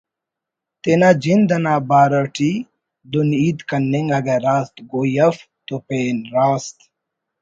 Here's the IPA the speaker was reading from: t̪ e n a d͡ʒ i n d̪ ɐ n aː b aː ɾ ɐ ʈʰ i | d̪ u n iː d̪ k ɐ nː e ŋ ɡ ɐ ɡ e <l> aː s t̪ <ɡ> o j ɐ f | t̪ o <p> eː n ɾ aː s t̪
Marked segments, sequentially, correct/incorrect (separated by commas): incorrect, correct, correct